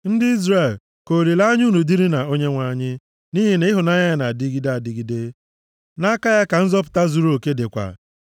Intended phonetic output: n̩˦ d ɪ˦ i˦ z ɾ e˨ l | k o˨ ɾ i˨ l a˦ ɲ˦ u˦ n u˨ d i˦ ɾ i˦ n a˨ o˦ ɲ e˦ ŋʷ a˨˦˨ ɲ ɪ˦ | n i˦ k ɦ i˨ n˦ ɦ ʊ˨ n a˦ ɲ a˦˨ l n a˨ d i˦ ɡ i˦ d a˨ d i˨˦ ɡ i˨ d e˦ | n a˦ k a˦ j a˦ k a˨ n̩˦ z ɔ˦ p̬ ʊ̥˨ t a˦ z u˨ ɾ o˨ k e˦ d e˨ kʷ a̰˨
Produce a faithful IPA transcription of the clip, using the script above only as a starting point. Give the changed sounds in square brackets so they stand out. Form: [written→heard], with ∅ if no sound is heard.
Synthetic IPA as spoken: n̩˦ d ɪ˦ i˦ z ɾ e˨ l | k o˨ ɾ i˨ l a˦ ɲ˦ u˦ n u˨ d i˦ ɾ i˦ n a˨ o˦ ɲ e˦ ŋʷ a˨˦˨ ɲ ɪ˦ | n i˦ [k→∅] ɦ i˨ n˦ ɦ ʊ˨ n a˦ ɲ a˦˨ [l→∅] n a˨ d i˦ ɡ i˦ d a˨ d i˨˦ ɡ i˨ d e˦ | n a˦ k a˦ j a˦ k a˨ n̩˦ z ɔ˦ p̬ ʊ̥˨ t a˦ z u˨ ɾ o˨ k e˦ d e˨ kʷ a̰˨